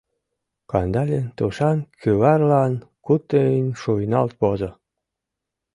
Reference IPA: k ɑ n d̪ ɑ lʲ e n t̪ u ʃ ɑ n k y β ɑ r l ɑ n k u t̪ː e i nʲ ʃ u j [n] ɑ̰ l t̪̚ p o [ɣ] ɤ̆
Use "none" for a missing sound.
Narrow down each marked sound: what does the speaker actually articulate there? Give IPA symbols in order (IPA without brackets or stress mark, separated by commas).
n, z